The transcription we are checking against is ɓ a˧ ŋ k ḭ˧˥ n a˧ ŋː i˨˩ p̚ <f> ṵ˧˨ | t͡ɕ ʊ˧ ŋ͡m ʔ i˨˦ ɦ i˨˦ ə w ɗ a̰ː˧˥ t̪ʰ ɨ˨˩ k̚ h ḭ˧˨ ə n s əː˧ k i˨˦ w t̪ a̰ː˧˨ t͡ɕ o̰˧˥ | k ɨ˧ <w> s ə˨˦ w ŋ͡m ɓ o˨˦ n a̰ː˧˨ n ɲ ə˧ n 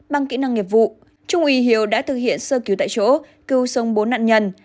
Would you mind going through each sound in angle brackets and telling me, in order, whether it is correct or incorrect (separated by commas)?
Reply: incorrect, correct